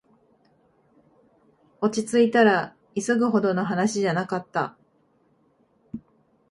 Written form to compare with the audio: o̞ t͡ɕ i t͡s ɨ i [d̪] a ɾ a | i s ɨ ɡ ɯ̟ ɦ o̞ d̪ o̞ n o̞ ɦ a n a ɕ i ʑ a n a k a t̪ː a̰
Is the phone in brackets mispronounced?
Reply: yes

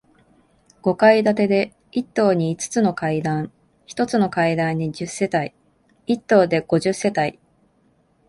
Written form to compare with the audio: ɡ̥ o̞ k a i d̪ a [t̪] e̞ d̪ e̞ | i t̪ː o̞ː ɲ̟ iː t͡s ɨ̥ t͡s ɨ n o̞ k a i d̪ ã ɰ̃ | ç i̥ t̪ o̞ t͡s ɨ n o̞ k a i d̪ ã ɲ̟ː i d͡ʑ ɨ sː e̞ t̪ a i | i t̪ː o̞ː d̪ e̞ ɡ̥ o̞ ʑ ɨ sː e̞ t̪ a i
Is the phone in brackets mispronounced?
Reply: no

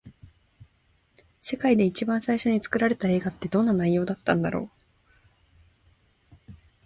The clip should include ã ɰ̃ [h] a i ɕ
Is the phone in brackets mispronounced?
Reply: yes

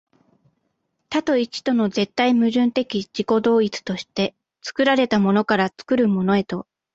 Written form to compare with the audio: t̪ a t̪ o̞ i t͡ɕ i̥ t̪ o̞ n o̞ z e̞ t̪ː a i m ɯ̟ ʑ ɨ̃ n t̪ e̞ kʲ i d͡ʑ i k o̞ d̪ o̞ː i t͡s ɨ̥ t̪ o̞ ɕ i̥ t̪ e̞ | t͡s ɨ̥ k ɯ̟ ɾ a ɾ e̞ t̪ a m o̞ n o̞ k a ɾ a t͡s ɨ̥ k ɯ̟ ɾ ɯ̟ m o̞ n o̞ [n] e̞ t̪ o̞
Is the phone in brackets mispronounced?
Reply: yes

